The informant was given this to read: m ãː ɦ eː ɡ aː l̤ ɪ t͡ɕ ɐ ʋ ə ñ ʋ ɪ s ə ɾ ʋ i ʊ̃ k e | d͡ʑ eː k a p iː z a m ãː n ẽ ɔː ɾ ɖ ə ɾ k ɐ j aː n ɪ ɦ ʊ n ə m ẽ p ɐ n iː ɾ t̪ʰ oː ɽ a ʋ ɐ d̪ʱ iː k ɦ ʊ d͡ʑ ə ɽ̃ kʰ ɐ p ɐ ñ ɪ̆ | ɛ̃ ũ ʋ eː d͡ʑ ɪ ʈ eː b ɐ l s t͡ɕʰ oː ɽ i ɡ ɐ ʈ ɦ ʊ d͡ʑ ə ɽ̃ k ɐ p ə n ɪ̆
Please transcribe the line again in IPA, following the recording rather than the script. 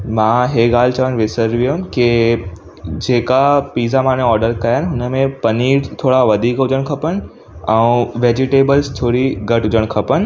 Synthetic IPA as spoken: m ãː ɦ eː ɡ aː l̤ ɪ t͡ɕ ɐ ʋ ə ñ ʋ ɪ s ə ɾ ʋ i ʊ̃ k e | d͡ʑ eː k a p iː z a m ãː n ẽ ɔː ɾ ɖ ə ɾ k ɐ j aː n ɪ ɦ ʊ n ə m ẽ p ɐ n iː ɾ t̪ʰ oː ɽ a ʋ ɐ d̪ʱ iː k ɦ ʊ d͡ʑ ə ɽ̃ kʰ ɐ p ə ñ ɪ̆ | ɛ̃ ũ ʋ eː d͡ʑ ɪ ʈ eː b ə l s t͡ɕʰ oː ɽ i ɡ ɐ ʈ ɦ ʊ d͡ʑ ə ɽ̃ kʰ ɐ p ə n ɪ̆